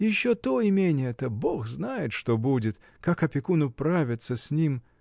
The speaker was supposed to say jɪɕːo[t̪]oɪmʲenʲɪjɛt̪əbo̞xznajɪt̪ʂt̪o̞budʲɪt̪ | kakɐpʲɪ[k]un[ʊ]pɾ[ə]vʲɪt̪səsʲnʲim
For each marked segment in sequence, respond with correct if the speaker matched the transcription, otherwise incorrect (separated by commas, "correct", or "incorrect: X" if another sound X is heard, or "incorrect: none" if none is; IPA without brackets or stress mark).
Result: correct, correct, correct, incorrect: a